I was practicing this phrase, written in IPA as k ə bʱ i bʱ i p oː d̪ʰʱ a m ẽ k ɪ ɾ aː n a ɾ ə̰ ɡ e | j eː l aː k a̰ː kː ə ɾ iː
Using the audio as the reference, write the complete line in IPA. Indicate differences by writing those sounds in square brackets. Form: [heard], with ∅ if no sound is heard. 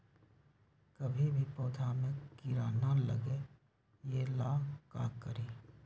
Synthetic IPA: k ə bʱ i bʱ i p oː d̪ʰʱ a m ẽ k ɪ ɾ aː n a [l] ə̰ ɡ e | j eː l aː k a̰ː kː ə ɾ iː

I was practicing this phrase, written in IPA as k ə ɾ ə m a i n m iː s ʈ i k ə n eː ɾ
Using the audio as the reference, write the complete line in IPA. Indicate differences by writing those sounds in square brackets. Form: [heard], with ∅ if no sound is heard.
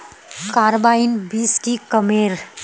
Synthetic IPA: k [a] ɾ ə [b] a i n [b] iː s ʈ i k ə [m] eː ɾ

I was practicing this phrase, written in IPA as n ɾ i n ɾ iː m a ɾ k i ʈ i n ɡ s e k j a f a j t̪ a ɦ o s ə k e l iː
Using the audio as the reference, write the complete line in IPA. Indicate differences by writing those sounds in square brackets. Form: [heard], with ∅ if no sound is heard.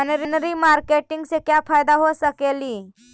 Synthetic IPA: n ɾ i n ɾ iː m a ɾ k [e] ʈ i [ŋ] ɡ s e k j a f a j [d̪] a ɦ o s ə k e l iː

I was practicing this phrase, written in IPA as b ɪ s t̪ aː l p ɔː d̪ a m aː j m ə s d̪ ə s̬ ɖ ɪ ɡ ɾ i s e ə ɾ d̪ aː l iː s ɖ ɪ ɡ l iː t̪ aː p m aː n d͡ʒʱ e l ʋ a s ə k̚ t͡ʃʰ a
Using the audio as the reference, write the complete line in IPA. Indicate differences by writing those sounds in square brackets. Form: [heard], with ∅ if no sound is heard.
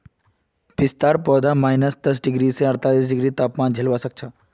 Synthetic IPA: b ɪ s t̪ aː [ɾ] p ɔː d̪ a m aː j [n] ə s d̪ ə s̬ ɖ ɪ ɡ ɾ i s e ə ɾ [t̪] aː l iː s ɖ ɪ ɡ [ɾ] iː t̪ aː p m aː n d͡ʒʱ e l ʋ a s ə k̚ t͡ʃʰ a

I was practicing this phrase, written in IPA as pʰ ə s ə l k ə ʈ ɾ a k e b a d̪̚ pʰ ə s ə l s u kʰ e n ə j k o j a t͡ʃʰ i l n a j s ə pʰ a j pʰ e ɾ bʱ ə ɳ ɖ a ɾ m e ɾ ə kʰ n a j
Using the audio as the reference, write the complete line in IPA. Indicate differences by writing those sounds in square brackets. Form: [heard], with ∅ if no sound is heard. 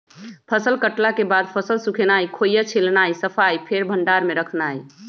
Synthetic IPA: pʰ ə s ə l k ə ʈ [l] a k e b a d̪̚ pʰ ə s ə l s u kʰ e n [a] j [kʰ] o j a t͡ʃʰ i l n a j s ə pʰ a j pʰ e ɾ bʱ ə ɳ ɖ a ɾ m e ɾ ə kʰ n a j

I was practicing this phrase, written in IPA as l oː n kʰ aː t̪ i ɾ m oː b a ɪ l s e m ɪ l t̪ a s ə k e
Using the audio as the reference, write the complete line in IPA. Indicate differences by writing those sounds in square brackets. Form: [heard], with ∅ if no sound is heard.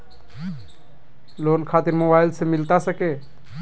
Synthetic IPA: l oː n kʰ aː t̪ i ɾ m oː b a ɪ l s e m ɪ l t̪ a s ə k e

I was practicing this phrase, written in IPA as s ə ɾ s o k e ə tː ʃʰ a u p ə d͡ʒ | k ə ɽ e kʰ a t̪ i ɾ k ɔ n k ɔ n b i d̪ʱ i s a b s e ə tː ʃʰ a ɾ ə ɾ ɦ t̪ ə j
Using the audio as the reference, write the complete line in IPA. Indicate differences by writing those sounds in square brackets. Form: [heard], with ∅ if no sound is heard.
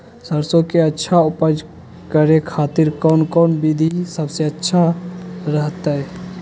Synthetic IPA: s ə ɾ s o k e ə tː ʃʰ a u p ə d͡ʒ | k ə [ɾ] e kʰ a t̪ i ɾ k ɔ n k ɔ n b i d̪ʱ i s [ə] b s e ə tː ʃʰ a ɾ ə [∅] ɦ t̪ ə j

